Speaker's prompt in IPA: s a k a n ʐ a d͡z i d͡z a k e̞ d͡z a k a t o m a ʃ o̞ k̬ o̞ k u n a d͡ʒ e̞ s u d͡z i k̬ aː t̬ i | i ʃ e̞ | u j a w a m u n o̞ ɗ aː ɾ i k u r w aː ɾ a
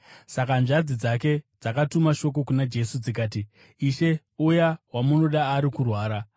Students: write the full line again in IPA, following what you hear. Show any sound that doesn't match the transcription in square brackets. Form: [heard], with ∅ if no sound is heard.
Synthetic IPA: s a k a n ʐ a d͡z i d͡z a k e̞ d͡z a k a t [u] m a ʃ o̞ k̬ o̞ k u n a d͡ʒ e̞ s u d͡z i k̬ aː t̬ i | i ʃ e̞ | u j a w a m u n o̞ ɗ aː ɾ i k u r w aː ɾ a